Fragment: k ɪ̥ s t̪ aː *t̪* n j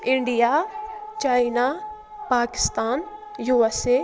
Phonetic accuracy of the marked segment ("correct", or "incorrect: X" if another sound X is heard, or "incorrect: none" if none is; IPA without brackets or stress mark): incorrect: none